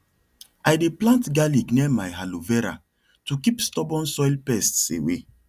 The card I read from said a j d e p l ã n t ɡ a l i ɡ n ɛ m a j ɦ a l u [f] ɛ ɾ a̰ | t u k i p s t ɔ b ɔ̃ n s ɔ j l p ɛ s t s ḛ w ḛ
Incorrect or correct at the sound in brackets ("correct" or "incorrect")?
incorrect